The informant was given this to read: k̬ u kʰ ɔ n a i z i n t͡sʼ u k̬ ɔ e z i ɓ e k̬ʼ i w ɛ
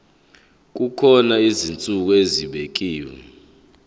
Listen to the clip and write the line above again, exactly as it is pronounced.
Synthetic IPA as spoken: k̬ u kʰ ɔ n a i z i n t͡sʼ u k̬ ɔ e z i ɓ e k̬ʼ iː w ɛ